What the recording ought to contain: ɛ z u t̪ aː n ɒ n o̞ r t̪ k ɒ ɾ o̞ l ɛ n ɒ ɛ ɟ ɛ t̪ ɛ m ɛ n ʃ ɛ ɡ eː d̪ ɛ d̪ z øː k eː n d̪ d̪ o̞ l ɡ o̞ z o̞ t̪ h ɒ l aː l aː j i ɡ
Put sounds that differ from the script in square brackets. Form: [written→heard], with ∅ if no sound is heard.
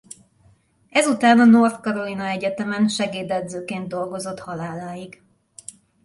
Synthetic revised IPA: ɛ z u t̪ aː n ɒ n o̞ r t̪ k ɒ ɾ o̞ l [ɛ→i] n ɒ ɛ ɟ ɛ t̪ ɛ m ɛ n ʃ ɛ ɡ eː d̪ ɛ d̪ z øː k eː n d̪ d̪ o̞ l ɡ o̞ z o̞ t̪ h ɒ l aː l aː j i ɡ